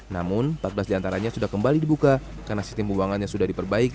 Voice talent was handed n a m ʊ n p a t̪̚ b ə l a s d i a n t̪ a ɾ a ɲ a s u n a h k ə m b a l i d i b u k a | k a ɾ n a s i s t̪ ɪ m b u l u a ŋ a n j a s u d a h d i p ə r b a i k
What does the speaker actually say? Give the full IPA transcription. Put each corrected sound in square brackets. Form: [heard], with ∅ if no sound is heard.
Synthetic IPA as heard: n a m ʊ n p a t̪̚ b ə l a s d i a n t̪ a ɾ a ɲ a s u [d] a h k ə m b a l i d i b u k a | k a [r] n a s i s t̪ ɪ m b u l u a ŋ a n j a s u d a h d i p ə r b a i k

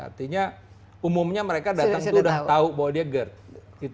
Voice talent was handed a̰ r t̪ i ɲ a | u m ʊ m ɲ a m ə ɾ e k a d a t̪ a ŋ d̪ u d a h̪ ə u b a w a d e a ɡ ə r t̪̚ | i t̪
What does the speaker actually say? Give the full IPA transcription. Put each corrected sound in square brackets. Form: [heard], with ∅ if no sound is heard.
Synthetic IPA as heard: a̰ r t̪ i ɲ a | u m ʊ m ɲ a m ə ɾ e k a d a t̪ a ŋ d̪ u d a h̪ [a] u b a w a d [i] a ɡ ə r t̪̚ | i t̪

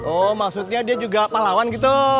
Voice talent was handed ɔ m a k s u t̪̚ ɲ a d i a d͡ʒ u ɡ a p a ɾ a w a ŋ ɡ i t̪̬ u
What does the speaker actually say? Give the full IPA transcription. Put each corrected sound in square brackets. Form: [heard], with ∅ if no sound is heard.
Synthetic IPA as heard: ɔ m a k s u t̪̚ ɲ a d i a d͡ʒ u ɡ a p a [l] a w a [n] ɡ i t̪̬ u

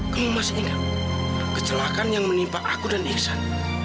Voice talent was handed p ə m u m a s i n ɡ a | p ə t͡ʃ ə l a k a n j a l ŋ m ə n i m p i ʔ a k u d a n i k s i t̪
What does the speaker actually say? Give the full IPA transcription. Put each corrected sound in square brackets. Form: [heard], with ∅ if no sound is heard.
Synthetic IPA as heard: [k] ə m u m a s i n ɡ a | [k] ə t͡ʃ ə l a k a n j a [∅] ŋ m ə n i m p [a] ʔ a k u d a n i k s [a] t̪

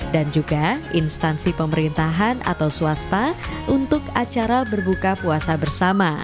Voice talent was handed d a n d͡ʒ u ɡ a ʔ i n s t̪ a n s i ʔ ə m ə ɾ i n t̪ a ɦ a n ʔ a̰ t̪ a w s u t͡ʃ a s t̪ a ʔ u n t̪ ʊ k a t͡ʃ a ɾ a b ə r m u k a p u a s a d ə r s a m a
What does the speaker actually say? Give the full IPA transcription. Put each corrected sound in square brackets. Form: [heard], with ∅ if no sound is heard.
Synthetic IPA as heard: d a n d͡ʒ u ɡ a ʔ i n s t̪ a n s i [p] ə m ə ɾ i n t̪ a ɦ a n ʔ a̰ t̪ a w s u [∅] a s t̪ a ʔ u n t̪ ʊ k a t͡ʃ a ɾ a b ə r [b] u k a p u a s a [b] ə r s a m a

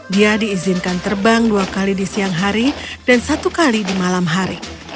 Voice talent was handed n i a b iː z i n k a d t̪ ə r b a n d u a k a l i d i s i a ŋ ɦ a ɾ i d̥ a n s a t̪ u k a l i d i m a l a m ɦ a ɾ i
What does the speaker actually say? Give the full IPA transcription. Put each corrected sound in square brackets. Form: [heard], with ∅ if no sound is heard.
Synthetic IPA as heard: [d] i a [d] iː z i n k a [n] t̪ ə r b a [ŋ] d u a k a l i d i s i a ŋ ɦ a ɾ i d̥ a n s a t̪ u k a l i d i m a l a m ɦ a ɾ i

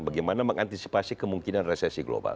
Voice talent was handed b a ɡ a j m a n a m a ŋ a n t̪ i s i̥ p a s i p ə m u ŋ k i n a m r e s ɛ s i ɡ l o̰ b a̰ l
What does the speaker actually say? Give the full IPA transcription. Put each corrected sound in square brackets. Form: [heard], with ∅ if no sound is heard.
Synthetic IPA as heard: b a ɡ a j m a n a m [ə] ŋ a n t̪ i s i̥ p a s i [k] ə m u ŋ k i n a [n] r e s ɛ s i ɡ l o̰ b a̰ l

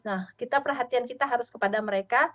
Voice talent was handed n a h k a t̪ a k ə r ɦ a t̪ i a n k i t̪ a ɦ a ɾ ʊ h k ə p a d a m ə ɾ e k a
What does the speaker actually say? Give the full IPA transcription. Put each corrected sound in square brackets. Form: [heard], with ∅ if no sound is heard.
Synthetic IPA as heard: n a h k [i] t̪ a [p] ə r ɦ a t̪ i a n k i t̪ a ɦ a ɾ ʊ [s] k ə p a d a m ə ɾ e k a

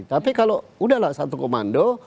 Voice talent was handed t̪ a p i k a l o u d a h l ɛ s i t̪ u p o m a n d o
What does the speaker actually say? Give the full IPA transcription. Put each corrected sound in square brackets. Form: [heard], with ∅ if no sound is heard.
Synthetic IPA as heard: t̪ a p i k a l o u d a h l [a] s [a] t̪ u [k] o m a n d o

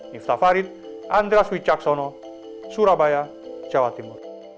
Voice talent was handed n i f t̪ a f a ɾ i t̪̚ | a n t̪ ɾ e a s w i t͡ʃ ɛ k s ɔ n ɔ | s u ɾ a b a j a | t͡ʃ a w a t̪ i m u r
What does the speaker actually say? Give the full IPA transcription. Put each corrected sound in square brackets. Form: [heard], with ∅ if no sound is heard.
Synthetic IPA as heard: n i f t̪ a f a ɾ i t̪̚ | a n [d̪] ɾ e a s w i t͡ʃ [a] k s ɔ n ɔ | s u ɾ a b a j a | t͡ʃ a w a t̪ i m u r

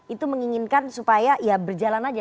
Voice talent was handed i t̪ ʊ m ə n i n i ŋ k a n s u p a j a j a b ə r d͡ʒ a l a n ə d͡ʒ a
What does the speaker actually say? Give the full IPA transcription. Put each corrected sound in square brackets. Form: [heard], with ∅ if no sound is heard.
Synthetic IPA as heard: i t̪ [u] m ə [ŋ] i [ŋ] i [n] k a n s u p a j a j a b ə r d͡ʒ a l a n [a] d͡ʒ a

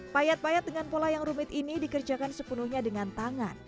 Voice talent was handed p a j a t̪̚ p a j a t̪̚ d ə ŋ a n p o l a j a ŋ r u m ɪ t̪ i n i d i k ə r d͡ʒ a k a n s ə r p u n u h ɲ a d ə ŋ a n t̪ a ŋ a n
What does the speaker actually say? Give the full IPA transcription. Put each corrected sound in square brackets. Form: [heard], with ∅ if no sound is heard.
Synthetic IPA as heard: p a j a t̪̚ p a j a t̪̚ d ə ŋ a n p o l a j a ŋ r u m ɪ t̪ i n i d i k ə r d͡ʒ a k a n s ə [∅] p u n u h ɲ a d ə ŋ a n t̪ a ŋ a n

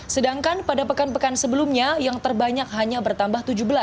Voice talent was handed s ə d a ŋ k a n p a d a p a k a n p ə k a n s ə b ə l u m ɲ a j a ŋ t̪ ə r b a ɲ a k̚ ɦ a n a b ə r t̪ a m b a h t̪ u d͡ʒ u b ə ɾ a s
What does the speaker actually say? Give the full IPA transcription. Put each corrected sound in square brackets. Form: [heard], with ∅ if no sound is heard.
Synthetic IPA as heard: s ə d a ŋ k a n p a d a p [ə] k a n p ə k a n s ə b ə l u m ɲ a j a ŋ t̪ ə r b a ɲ a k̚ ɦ a [ɲ] a b ə r t̪ a m b a h t̪ u d͡ʒ u b ə [l] a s

